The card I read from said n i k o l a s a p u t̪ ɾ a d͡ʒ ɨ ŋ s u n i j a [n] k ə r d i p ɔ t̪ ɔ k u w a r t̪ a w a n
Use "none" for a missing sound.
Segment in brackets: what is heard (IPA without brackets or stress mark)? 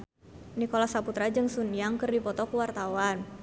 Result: ŋ